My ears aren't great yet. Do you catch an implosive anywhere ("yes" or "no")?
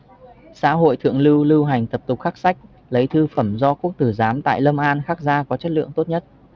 no